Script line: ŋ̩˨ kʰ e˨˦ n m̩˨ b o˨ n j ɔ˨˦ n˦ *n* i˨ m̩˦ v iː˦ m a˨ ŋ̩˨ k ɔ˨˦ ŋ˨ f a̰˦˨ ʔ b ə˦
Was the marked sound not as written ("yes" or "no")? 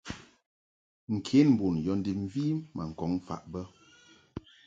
yes